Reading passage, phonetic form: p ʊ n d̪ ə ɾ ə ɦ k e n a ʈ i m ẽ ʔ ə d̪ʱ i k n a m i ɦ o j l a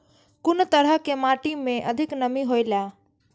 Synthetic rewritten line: k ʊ n t̪ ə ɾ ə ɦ k e m a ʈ i m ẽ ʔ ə d̪ʱ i k n ə m i ɦ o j l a